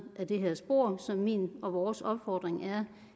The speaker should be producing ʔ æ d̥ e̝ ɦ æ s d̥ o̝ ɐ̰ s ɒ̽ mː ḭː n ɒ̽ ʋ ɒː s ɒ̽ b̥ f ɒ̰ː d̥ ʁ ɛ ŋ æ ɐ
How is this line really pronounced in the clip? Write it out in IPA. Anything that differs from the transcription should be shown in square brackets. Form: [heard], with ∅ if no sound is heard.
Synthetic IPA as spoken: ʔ æ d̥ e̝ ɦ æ s [b̥] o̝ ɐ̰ s ɒ̽ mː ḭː n ɒ̽ ʋ ɒː s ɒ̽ b̥ f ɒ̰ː d̥ ʁ [e] ŋ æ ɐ